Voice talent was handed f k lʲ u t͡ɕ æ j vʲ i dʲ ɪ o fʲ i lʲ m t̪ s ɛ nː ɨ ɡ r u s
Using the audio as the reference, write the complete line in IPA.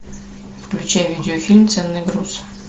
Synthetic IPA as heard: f k lʲ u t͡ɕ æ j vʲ i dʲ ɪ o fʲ i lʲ m t̪ s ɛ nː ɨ ɡ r u s